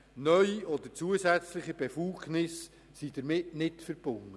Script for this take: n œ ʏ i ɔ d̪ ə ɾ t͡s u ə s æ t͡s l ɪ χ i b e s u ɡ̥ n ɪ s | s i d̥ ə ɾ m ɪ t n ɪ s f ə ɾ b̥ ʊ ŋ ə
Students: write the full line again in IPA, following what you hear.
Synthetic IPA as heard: n œ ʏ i ɔ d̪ ə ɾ t͡s u ə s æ t͡s l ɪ χ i b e f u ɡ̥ n ɪ s | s i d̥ ə ɾ m ɪ t n ɪ t f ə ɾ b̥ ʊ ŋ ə